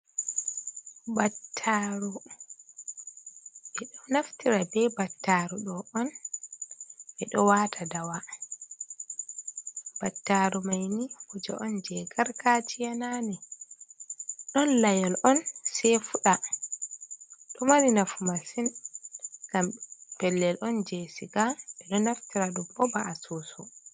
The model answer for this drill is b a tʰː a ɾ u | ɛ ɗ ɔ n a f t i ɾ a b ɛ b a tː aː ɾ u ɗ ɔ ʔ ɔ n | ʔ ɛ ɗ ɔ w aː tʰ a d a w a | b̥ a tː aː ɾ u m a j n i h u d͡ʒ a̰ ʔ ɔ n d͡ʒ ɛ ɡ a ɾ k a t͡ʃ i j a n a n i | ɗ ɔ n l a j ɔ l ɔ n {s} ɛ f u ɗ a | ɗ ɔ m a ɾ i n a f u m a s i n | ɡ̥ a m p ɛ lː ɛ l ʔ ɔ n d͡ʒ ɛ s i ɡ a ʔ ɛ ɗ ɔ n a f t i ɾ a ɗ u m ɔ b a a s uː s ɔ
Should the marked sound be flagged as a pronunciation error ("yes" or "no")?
no